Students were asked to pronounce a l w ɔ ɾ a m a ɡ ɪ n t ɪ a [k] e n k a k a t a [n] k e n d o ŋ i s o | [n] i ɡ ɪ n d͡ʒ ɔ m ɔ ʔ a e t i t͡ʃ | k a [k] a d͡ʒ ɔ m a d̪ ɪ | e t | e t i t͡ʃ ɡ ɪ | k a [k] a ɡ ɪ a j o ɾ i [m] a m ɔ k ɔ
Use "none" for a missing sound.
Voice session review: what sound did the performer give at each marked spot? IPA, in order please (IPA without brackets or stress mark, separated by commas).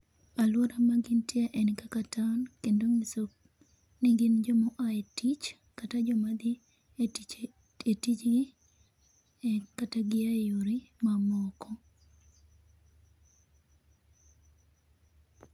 ʔ, n, n, t, t, m